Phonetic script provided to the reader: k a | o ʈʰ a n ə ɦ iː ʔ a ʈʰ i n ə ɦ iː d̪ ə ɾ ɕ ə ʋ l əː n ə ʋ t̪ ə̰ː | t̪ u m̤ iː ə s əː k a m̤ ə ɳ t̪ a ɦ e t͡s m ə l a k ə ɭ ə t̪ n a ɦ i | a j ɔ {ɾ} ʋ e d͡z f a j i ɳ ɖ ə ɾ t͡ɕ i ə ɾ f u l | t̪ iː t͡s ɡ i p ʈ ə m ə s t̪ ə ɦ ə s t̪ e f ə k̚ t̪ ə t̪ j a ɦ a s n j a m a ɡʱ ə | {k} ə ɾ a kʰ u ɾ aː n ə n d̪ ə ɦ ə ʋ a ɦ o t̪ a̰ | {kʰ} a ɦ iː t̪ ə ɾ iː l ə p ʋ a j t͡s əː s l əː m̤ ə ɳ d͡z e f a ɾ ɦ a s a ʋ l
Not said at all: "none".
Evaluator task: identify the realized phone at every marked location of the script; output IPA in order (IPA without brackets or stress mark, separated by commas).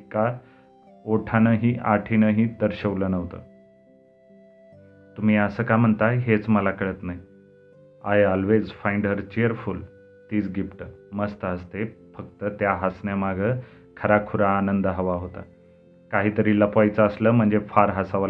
l, kʰ, k